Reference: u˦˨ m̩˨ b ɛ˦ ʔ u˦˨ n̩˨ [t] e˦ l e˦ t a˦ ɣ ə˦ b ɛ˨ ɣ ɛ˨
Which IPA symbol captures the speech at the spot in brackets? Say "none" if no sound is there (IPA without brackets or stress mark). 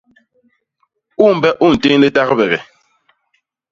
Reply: t